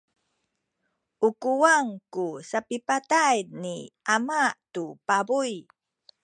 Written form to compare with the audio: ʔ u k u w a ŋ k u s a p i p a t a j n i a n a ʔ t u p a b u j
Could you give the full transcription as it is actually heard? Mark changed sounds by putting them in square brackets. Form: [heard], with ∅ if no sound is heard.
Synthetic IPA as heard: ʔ u k u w a ŋ k u s a p i p a t a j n i a [m] a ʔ t u p a b u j